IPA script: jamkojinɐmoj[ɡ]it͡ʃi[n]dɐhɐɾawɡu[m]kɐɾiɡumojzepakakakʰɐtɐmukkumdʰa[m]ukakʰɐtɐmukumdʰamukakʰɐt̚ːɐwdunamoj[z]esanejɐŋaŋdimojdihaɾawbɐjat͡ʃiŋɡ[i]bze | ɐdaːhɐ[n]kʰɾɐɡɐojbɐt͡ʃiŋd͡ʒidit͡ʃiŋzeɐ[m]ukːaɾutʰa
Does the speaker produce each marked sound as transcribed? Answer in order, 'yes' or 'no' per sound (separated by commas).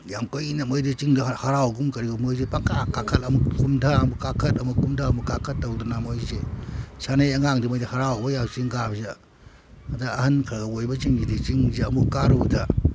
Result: no, no, yes, yes, yes, no, yes, yes